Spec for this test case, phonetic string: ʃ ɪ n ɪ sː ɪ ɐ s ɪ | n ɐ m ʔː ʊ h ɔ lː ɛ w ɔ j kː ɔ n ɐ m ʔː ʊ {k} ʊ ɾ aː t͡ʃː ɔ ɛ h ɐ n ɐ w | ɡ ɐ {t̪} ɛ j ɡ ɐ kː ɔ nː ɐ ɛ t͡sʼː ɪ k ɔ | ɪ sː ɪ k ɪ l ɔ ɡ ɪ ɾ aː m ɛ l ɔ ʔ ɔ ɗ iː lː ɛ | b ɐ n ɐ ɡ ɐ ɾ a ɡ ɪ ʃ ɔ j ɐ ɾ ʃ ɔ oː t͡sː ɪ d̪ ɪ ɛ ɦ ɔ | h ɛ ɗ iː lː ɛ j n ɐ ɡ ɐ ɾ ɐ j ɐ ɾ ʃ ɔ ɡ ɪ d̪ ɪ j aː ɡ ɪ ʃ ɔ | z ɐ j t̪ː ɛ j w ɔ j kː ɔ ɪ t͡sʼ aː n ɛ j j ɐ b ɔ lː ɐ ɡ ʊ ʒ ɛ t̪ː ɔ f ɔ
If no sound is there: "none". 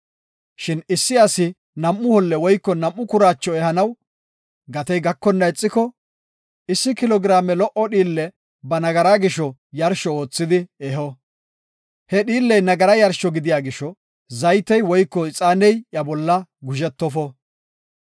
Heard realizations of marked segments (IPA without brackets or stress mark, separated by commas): k, t̪